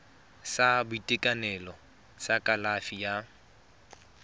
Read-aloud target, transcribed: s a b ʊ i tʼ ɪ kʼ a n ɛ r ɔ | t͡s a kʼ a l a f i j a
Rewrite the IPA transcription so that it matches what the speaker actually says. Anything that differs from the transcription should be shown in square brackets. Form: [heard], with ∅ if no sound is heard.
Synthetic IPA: s a b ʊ i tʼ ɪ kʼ a n ɛ [l] ɔ | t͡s a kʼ a l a f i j a